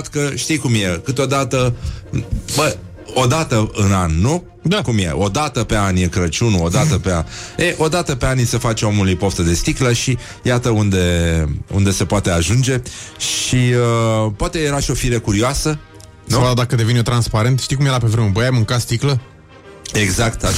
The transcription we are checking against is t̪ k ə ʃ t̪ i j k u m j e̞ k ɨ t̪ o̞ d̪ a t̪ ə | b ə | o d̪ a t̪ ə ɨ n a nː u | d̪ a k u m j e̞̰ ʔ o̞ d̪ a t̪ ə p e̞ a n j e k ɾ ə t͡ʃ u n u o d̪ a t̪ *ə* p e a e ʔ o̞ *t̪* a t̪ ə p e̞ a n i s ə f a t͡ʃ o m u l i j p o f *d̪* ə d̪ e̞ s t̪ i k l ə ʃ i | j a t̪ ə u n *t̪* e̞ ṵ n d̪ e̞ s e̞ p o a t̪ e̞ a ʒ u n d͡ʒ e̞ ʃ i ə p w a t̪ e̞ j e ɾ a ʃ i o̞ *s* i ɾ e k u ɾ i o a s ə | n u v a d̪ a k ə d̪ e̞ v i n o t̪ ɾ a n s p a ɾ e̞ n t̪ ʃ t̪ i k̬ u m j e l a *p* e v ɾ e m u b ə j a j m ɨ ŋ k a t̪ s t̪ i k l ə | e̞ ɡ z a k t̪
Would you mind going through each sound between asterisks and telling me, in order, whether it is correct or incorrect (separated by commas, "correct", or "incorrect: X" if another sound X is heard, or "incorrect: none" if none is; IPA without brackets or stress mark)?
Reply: correct, incorrect: d̪, incorrect: t̪, incorrect: d̪, incorrect: f, correct